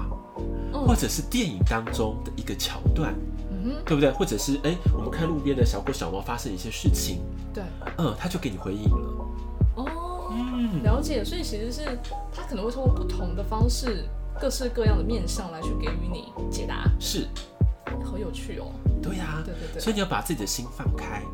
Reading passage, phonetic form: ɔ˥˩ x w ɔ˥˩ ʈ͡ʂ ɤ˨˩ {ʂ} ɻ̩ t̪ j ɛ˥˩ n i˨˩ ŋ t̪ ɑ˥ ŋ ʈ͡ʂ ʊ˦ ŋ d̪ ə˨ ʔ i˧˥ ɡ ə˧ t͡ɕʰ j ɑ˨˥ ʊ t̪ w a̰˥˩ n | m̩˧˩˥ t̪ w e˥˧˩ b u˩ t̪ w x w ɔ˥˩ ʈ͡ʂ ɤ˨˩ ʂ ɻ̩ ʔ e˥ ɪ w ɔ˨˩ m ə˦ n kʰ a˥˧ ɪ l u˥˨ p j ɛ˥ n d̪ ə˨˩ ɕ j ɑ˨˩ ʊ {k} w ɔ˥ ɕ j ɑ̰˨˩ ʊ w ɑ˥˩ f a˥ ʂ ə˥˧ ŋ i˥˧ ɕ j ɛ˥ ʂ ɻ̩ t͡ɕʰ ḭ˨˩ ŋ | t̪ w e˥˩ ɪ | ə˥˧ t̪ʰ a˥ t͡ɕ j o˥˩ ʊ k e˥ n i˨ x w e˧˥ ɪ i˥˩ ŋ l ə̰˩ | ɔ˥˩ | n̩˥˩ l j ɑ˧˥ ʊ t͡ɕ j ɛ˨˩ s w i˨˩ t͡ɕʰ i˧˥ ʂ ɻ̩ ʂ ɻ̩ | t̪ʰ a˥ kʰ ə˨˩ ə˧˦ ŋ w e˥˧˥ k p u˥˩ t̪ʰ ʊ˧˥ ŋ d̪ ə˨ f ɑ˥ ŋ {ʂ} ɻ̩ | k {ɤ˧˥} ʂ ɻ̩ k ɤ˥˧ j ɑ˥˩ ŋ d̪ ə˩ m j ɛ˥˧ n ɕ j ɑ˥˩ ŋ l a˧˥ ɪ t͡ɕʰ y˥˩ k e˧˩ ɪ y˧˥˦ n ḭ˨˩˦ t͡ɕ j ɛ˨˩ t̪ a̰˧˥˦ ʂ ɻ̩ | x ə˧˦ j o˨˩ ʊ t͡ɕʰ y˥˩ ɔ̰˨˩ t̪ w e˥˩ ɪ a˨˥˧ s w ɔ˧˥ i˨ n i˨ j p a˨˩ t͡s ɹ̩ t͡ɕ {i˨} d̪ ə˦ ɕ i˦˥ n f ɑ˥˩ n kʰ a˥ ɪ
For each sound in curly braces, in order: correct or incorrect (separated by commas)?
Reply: correct, correct, correct, incorrect, correct